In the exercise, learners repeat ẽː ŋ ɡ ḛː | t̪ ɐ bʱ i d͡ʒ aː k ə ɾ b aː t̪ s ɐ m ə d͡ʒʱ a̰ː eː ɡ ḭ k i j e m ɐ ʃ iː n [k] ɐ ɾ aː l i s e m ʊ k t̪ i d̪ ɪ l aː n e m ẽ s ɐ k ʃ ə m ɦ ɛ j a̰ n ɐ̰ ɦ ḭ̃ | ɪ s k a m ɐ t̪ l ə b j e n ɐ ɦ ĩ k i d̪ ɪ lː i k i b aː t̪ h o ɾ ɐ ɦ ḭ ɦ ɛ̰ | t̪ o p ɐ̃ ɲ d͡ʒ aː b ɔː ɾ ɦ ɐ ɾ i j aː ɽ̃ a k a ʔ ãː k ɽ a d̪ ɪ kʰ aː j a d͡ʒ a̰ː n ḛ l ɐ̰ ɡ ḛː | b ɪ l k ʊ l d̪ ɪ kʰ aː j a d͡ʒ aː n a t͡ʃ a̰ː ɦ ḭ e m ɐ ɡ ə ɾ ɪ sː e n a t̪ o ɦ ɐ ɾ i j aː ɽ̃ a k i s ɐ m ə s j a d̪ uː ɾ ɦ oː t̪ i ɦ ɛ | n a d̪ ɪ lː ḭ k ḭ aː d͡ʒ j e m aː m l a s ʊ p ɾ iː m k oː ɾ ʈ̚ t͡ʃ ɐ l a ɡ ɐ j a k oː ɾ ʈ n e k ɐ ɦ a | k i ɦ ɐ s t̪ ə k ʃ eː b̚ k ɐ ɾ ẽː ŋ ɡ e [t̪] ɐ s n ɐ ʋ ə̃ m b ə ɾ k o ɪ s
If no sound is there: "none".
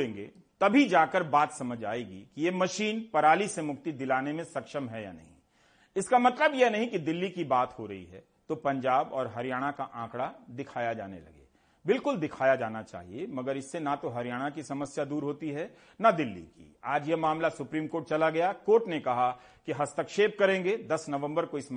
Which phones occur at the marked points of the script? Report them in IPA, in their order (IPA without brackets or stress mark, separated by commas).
p, d̪